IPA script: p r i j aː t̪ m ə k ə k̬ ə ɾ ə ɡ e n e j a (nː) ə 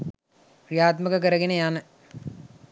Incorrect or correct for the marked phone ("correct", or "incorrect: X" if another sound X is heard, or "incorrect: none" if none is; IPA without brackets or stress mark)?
incorrect: n